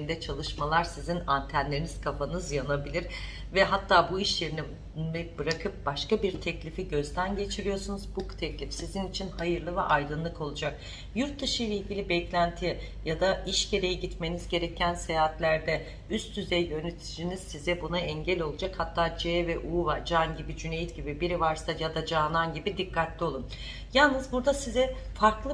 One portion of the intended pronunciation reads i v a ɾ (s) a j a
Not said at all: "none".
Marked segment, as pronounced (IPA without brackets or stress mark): s